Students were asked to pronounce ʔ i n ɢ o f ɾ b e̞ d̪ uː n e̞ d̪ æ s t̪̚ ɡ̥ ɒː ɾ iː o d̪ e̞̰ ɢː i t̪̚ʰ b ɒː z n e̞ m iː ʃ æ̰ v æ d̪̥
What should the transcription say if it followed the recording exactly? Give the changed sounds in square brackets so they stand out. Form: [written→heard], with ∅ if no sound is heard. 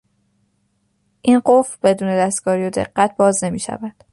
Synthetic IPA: ʔ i n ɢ o f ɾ b e̞ d̪ uː n e̞ d̪ æ s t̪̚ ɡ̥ ɒː ɾ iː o d̪ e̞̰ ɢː [i→æ] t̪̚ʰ b ɒː z n e̞ m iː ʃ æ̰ v æ d̪̥